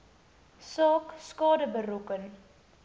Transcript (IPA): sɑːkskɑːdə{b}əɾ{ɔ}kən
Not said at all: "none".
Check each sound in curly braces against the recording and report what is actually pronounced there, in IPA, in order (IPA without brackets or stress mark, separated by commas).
b, u